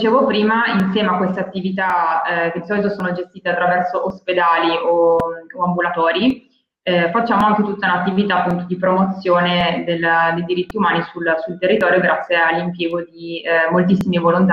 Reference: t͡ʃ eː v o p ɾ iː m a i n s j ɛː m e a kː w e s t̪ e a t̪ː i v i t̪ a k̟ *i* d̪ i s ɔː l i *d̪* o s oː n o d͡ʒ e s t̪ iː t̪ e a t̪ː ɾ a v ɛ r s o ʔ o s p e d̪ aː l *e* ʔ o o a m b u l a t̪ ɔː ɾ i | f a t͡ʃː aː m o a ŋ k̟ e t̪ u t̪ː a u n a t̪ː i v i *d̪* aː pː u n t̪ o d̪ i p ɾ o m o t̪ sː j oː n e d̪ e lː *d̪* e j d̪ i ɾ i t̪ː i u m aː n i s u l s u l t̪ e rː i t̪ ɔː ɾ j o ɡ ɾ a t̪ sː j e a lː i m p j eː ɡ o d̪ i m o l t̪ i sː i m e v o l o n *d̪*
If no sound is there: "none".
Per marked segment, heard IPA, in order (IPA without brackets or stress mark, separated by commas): e, t̪, i, t̪, d̪, t̪